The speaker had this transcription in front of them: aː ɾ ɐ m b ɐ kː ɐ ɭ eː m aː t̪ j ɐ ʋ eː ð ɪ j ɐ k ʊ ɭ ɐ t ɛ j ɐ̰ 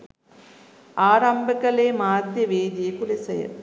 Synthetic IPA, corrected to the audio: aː ɾ ɐ m b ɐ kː ɐ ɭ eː m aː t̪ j ɐ ʋ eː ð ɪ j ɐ k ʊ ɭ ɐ s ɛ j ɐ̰